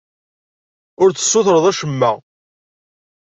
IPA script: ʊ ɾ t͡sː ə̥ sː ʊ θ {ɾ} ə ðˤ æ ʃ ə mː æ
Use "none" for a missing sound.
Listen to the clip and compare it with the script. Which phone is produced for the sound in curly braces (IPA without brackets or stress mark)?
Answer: ɾ